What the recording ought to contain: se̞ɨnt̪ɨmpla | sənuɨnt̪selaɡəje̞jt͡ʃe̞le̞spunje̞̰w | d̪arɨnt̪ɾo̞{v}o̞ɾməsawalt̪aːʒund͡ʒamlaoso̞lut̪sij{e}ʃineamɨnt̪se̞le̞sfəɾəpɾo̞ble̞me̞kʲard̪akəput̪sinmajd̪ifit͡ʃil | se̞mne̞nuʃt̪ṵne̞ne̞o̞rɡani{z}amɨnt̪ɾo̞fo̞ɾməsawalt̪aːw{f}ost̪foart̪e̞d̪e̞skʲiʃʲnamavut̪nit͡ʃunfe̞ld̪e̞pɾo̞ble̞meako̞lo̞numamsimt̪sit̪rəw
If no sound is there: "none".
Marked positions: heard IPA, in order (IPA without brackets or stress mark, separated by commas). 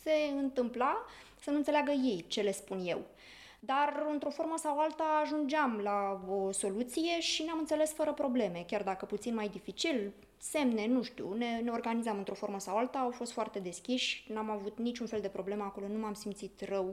f, e, z, f